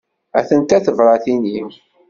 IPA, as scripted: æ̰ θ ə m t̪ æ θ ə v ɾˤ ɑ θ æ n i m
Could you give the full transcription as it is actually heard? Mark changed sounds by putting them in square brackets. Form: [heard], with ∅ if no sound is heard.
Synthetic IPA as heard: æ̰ θ ə [n] t̪ æ θ ə v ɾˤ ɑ θ [i] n i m